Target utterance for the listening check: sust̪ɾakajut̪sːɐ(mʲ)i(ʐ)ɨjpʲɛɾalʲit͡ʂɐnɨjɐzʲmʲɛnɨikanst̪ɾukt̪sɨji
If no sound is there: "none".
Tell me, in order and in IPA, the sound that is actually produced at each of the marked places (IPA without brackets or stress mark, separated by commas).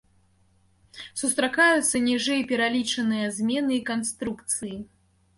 nʲ, ʐ